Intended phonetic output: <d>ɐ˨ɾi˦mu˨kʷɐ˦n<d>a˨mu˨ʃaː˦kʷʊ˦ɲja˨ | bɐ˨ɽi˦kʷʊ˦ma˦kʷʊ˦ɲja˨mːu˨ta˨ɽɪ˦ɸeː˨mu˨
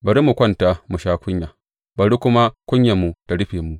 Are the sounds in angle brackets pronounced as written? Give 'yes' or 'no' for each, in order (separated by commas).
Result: no, no